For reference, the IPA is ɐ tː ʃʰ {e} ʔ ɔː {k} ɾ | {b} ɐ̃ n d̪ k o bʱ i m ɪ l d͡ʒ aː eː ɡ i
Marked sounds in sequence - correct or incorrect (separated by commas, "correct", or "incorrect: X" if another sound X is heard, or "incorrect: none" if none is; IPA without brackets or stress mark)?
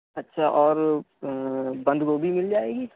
incorrect: a, incorrect: none, correct